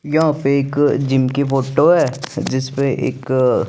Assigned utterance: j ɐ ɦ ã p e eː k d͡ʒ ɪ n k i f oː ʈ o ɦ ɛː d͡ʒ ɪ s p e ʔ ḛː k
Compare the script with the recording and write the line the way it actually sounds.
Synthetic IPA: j ɐ ɦ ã p e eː k d͡ʒ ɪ m k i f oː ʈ o ɦ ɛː d͡ʒ ɪ s p e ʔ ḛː k